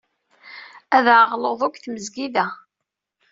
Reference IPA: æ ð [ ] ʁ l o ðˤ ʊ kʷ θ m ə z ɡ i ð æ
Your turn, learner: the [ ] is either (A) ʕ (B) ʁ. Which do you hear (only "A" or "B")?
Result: A